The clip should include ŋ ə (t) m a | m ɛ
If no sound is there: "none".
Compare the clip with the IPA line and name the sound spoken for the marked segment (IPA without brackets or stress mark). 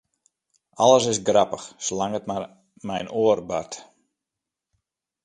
t